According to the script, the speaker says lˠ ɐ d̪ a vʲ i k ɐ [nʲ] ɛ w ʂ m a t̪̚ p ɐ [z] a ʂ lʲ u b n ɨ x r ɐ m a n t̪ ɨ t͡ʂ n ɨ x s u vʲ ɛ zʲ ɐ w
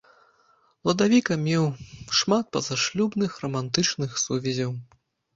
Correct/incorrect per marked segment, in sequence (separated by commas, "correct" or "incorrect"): incorrect, correct